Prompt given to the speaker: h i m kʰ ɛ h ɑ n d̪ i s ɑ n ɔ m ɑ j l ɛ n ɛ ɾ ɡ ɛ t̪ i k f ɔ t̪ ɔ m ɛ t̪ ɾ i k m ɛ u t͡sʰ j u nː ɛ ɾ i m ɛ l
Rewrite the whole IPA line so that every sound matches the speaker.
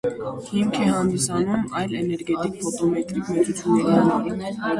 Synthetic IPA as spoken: h i m kʰ ɛ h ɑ n d̪ i s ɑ n u m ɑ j l ɛ n ɛ ɾ ɡ ɛ t̪ i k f ɔ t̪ ɔ m ɛ t̪ ɾ i k m ɛ u t͡sʰ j u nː ɛ ɾ i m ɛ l